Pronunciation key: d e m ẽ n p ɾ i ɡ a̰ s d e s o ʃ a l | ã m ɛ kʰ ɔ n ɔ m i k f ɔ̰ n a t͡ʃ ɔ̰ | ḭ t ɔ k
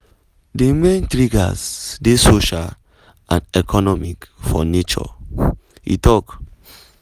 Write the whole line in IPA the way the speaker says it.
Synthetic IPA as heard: d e m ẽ n t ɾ i ɡ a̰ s d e s o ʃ a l | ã n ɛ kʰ ɔ n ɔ m i k f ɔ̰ n e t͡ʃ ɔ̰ | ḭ t ɔ k